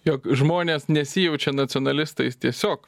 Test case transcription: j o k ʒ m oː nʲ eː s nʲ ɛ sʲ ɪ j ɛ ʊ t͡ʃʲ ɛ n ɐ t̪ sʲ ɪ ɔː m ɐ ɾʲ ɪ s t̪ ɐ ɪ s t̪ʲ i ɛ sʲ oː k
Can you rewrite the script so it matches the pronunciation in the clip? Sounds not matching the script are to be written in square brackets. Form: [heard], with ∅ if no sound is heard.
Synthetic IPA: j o k ʒ m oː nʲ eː s nʲ ɛ sʲ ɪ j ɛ ʊ t͡ʃʲ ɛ n ɐ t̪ sʲ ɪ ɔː [n] ɐ [lʲ] ɪ s t̪ ɐ ɪ s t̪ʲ i ɛ sʲ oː k